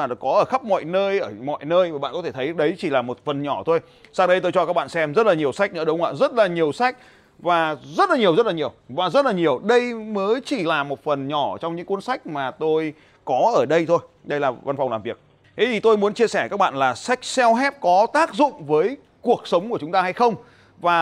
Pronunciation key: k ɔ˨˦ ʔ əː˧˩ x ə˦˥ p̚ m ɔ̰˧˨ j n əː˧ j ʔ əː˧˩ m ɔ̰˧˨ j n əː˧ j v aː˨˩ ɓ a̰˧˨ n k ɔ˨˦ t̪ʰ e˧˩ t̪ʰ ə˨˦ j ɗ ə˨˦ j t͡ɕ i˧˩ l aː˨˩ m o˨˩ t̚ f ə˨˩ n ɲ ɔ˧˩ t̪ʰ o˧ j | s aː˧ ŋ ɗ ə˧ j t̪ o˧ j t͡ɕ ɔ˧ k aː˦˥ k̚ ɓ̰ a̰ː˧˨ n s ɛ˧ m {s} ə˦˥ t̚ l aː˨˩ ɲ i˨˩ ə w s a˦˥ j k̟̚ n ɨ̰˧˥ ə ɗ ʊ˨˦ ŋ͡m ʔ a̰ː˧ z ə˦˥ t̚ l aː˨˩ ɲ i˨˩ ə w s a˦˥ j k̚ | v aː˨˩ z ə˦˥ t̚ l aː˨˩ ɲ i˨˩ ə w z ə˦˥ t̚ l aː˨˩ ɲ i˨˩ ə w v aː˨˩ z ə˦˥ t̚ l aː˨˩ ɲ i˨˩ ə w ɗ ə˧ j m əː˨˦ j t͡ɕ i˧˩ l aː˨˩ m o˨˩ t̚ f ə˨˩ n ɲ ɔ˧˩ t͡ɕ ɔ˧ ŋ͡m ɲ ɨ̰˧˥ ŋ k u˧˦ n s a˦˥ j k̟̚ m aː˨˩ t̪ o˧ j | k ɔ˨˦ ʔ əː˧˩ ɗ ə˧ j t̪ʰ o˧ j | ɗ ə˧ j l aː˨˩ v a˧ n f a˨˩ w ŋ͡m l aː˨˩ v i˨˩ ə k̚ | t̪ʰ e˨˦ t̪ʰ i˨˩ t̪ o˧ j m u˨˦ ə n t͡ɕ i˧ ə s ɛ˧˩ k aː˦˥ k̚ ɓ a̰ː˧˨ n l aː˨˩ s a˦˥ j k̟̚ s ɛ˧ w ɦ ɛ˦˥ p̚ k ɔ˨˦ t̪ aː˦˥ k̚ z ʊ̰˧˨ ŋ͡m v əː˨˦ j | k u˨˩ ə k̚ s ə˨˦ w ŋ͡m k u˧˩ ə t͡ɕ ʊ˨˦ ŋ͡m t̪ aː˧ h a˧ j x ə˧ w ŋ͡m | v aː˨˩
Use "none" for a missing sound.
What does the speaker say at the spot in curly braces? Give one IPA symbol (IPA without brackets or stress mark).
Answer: z